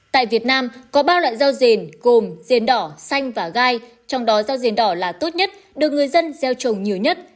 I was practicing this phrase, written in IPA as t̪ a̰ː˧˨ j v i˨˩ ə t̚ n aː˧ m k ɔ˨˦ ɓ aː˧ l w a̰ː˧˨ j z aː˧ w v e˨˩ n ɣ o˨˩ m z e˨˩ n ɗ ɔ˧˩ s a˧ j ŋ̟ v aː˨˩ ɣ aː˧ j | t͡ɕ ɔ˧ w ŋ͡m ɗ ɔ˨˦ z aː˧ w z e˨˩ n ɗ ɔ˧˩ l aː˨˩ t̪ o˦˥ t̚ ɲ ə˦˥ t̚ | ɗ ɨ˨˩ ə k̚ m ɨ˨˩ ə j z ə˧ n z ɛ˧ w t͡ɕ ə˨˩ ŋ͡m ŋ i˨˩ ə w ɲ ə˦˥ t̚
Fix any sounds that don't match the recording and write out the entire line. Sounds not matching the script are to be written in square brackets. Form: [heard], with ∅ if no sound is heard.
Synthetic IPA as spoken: t̪ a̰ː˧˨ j v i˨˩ ə t̚ n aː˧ m k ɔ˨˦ ɓ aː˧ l w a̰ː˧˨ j z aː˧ w [z] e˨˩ n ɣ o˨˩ m z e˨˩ n ɗ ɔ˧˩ s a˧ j ŋ̟ v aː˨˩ ɣ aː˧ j | t͡ɕ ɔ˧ w ŋ͡m ɗ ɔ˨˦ z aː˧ w z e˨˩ n ɗ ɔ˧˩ l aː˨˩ t̪ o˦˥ t̚ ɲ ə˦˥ t̚ | ɗ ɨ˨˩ ə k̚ [ŋ] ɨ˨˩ ə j z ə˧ n z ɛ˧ w t͡ɕ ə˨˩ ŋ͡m [ɲ] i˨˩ ə w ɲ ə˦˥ t̚